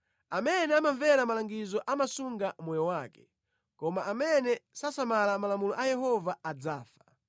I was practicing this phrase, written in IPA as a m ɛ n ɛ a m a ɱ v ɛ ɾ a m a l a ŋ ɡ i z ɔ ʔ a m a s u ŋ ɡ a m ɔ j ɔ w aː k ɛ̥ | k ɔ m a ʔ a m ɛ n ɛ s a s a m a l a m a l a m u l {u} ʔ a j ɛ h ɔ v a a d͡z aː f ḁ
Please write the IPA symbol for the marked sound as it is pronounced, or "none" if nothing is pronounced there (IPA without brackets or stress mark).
ɔ